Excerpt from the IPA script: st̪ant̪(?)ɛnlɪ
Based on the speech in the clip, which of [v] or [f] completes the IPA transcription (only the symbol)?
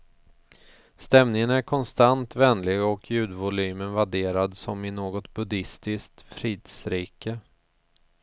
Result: v